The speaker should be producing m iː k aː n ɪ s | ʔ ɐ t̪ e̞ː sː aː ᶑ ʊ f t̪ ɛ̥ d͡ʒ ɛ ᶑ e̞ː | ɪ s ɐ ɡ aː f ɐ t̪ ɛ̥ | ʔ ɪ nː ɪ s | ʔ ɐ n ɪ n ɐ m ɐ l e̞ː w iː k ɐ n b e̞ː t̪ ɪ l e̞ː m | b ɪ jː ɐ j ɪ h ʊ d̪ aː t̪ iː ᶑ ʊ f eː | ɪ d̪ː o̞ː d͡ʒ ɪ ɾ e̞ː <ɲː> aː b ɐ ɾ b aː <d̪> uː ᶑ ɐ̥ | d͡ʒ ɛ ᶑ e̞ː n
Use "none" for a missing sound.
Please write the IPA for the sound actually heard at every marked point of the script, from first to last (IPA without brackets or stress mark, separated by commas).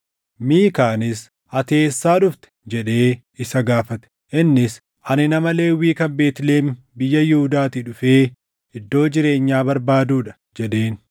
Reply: ɲː, d̪